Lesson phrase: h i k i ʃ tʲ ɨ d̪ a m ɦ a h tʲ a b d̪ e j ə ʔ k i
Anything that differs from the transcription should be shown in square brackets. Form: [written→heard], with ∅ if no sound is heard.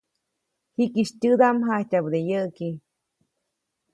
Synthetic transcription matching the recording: h i k i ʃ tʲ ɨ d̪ a m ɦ a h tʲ a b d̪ e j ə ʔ k i